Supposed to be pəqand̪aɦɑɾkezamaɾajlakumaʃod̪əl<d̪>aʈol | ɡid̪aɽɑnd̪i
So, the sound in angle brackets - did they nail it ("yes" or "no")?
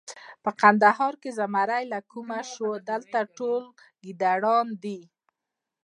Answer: no